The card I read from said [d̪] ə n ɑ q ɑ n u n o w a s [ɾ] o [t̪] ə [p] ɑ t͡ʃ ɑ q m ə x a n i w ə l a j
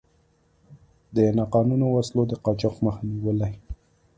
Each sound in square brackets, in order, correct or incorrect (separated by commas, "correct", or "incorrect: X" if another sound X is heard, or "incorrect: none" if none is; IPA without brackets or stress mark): correct, incorrect: l, incorrect: d̪, incorrect: q